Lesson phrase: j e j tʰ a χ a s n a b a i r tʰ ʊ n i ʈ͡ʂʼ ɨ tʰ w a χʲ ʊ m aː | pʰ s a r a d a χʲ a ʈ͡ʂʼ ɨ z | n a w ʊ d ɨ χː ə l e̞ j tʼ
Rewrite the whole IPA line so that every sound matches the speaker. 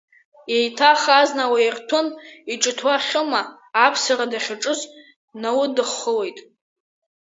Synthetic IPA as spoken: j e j tʰ a χ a z n a w a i r tʰ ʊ n i ʈ͡ʂʼ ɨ tʰ w a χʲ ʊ m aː | pʰ s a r a d a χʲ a ʈ͡ʂʼ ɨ z | n a w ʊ d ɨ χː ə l e̞ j tʼ